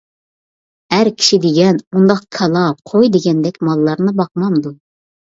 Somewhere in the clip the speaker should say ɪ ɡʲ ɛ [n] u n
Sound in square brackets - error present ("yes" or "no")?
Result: no